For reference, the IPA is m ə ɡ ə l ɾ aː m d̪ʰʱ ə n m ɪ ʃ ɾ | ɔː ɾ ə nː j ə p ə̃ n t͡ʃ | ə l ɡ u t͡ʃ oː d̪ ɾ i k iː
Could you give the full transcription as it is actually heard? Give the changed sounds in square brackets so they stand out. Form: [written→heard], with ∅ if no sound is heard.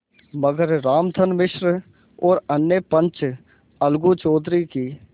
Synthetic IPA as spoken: m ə ɡ ə [l→ɾ] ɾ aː m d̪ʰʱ ə n m ɪ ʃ ɾ | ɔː ɾ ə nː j ə p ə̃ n t͡ʃ | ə l ɡ u t͡ʃ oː d̪ ɾ i k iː